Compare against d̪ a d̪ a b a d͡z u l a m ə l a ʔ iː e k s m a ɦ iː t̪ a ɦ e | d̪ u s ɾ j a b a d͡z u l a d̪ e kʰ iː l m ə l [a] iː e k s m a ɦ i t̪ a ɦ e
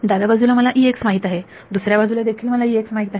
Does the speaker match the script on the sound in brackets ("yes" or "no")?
yes